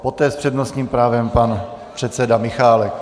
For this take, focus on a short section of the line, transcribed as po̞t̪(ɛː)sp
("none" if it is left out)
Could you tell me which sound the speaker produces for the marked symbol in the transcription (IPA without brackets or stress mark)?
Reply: ɛː